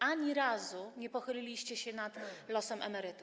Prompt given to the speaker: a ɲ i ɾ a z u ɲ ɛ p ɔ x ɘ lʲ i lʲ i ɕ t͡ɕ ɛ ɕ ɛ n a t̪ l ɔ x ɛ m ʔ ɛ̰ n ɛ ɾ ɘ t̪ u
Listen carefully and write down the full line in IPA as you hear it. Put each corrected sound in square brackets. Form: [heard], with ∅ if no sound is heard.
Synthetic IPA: a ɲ i ɾ a z u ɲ ɛ p ɔ x ɘ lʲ i lʲ i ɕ t͡ɕ ɛ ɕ ɛ n a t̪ l ɔ [s] ɛ m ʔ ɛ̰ [m] ɛ ɾ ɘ t̪ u

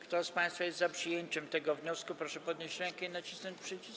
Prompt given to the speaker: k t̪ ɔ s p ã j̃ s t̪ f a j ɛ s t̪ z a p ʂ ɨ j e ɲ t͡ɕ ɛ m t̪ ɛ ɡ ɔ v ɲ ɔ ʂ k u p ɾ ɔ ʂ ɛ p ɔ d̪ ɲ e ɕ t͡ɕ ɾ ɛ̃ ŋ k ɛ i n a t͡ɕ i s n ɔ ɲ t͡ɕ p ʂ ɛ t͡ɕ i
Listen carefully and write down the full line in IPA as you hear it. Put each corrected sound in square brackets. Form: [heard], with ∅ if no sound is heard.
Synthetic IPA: k t̪ ɔ s p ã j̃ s t̪ f a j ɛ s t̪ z a p ʂ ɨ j e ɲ t͡ɕ ɛ m t̪ ɛ ɡ ɔ v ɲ ɔ [s] k u p ɾ ɔ ʂ ɛ p ɔ d̪ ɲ e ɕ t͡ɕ ɾ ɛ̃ ŋ k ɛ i n a t͡ɕ i s n ɔ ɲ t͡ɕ p ʂ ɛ t͡ɕ i

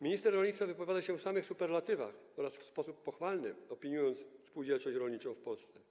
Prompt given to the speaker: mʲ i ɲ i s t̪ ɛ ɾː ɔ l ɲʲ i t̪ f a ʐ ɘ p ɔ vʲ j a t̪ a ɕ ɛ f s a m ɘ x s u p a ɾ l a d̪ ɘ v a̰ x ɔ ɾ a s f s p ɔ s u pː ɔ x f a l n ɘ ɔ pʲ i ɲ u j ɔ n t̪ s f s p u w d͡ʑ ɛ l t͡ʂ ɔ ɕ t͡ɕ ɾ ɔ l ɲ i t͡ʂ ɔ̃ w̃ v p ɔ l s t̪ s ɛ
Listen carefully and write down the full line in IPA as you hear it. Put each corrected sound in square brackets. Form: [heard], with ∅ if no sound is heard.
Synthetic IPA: mʲ i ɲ i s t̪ ɛ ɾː ɔ l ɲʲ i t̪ f a [v] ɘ p ɔ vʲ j a [d̪] a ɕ ɛ f s a m ɘ x s u p [ɛ] ɾ l a [t̪] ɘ v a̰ x ɔ ɾ a s f s p ɔ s u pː ɔ x f a l n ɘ ɔ pʲ i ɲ u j ɔ n t̪ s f s p u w d͡ʑ ɛ l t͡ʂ ɔ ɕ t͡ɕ ɾ ɔ l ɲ i t͡ʂ ɔ̃ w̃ [f] p ɔ l s t̪ s ɛ

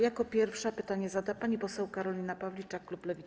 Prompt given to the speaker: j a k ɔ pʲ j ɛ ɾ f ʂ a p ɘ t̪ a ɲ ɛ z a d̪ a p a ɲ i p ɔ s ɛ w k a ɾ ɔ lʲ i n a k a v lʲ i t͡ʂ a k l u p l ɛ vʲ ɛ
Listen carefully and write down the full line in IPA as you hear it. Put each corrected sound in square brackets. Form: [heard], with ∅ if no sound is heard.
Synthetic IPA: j a k ɔ pʲ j ɛ ɾ f ʂ a p ɘ t̪ a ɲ ɛ z a d̪ a p a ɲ i p ɔ s ɛ w k a ɾ ɔ lʲ i n a [p] a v lʲ i t͡ʂ a k l u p l ɛ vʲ [i]

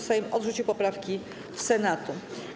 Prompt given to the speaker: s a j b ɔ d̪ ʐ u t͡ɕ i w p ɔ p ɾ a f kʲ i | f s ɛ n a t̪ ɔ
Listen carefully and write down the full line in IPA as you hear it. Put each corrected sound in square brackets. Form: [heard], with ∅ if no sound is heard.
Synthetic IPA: s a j [m] ɔ d̪ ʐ u t͡ɕ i w p ɔ p ɾ a f kʲ i | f s ɛ n a t̪ [u]

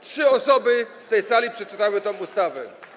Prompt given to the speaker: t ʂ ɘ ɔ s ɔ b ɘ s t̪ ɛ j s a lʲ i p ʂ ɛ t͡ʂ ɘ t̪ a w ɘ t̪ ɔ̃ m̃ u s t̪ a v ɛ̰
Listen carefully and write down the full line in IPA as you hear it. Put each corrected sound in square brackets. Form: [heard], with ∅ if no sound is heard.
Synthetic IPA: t ʂ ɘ ɔ s ɔ b ɘ s t̪ ɛ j s a lʲ i p ʂ ɛ t͡ʂ ɘ t̪ a w ɘ t̪ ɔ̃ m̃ u s t̪ a v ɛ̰

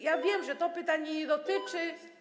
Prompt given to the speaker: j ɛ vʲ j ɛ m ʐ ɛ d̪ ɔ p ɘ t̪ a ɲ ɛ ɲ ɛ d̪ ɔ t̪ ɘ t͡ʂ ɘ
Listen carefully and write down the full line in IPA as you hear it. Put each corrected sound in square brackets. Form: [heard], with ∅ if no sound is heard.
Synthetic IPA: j [a] vʲ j ɛ m ʐ ɛ [t̪] ɔ p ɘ t̪ a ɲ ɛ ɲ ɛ d̪ ɔ t̪ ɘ t͡ʂ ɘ

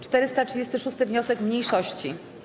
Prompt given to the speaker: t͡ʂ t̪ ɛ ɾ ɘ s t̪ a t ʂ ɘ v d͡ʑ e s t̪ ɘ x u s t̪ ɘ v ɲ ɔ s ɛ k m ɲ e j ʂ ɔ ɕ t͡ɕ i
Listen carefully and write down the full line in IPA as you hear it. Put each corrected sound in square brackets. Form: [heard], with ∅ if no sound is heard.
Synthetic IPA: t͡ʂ t̪ ɛ ɾ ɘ s t̪ a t ʂ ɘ [∅] d͡ʑ e s t̪ ɘ [ʂ] u s t̪ ɘ v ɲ ɔ s ɛ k m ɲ e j ʂ ɔ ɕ t͡ɕ i

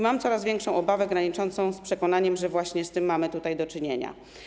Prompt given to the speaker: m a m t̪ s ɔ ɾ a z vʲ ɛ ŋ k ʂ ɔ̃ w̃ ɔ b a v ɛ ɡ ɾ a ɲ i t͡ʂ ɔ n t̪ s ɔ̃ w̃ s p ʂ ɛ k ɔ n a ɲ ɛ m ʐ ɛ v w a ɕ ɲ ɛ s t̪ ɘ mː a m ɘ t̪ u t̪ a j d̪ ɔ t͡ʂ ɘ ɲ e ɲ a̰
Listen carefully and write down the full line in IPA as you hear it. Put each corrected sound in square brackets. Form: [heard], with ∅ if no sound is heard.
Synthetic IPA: m a m t̪ s ɔ ɾ a z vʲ ɛ ŋ k ʂ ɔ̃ w̃ ɔ b a v ɛ ɡ ɾ a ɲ i t͡ʂ ɔ n t̪ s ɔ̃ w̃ s p ʂ ɛ k ɔ n a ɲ ɛ m ʐ ɛ v w a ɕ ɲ ɛ s t̪ ɘ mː a m ɘ t̪ u t̪ a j d̪ ɔ t͡ʂ ɘ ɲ e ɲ a̰

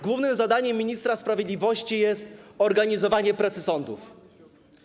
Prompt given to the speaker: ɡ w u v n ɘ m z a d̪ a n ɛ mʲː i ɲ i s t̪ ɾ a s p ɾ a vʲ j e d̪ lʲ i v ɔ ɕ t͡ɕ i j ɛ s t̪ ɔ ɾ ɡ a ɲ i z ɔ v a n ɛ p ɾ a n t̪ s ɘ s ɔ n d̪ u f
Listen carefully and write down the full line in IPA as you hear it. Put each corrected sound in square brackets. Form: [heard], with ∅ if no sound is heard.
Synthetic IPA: ɡ w u v n ɘ m z a d̪ a [ɲ] ɛ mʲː i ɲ i s t̪ ɾ a s p ɾ a vʲ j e d̪ lʲ i v ɔ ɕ t͡ɕ i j ɛ s t̪ ɔ ɾ ɡ a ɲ i z ɔ v a [ɲ] ɛ p ɾ a [∅] t̪ s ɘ s ɔ n d̪ u f

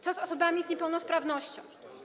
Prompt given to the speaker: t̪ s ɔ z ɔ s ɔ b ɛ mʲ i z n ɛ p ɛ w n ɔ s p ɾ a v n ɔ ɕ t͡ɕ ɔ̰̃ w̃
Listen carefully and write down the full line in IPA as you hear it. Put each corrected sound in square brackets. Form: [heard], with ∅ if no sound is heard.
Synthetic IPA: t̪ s ɔ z ɔ s ɔ b [a] mʲ i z [ɲ] ɛ p ɛ w n ɔ s p ɾ a v n ɔ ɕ t͡ɕ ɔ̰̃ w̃

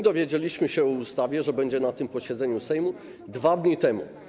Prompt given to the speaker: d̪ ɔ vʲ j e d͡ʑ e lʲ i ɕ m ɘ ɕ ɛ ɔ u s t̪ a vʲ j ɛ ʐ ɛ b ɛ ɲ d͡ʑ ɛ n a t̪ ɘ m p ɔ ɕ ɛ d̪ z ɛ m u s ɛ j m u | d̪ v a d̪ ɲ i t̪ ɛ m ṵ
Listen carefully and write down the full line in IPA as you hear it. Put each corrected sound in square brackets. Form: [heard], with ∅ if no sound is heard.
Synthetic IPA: d̪ ɔ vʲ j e d͡ʑ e lʲ i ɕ m ɘ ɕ ɛ ɔ u s t̪ a vʲ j ɛ ʐ ɛ b ɛ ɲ d͡ʑ ɛ n a t̪ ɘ m p ɔ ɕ ɛ d̪ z ɛ [ɲ] u s ɛ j m u | d̪ v a d̪ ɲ i t̪ ɛ m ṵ

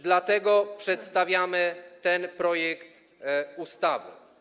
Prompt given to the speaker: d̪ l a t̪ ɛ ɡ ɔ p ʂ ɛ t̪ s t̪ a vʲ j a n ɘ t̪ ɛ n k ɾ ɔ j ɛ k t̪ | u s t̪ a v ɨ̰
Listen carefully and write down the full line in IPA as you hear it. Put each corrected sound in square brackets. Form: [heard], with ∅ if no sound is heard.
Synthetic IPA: d̪ l a t̪ ɛ ɡ ɔ p ʂ ɛ t̪ s t̪ a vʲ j a [m] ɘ t̪ ɛ n [p] ɾ ɔ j ɛ k t̪ | u s t̪ a v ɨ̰

